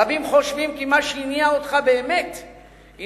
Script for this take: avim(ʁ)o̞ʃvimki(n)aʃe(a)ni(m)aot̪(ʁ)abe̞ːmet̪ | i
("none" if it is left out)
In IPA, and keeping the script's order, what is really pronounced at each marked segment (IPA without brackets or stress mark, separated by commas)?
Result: χ, m, i, none, χ